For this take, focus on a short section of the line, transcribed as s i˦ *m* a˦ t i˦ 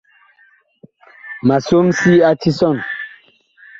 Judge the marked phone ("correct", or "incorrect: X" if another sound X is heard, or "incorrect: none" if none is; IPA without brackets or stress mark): incorrect: none